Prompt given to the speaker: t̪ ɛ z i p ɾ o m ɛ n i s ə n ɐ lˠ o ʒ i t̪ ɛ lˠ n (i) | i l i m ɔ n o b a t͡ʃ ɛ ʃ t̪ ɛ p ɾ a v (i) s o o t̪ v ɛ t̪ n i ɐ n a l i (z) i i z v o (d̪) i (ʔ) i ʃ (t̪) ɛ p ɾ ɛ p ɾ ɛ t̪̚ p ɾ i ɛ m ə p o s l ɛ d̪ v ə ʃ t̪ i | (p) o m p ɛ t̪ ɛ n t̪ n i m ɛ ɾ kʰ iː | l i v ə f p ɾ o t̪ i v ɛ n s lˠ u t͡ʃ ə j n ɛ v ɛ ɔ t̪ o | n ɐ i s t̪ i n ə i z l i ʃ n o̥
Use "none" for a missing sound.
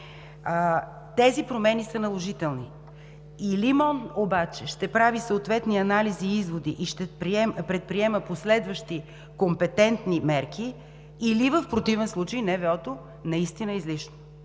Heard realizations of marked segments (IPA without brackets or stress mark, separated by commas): i, i, z, d̪, ʔ, t̪, k